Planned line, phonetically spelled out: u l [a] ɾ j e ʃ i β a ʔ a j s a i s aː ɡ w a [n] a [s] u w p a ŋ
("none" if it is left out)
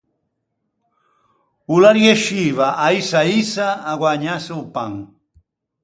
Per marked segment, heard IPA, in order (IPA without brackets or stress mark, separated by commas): a, ɲ, s